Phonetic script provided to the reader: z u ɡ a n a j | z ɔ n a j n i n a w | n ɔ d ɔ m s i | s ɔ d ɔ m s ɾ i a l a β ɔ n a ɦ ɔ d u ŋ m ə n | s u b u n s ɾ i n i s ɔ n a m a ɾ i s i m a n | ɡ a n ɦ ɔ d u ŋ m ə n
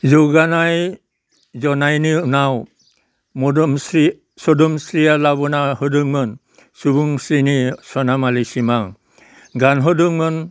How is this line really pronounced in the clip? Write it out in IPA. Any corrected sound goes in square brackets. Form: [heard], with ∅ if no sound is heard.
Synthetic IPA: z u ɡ a n a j | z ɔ n a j n i n a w | [m] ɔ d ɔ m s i | s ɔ d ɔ m s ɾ i a l a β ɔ n a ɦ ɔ d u ŋ m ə n | s u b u [ŋ] s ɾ i n i s ɔ n a m a [l] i s i m a [ŋ] | ɡ a n ɦ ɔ d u ŋ m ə n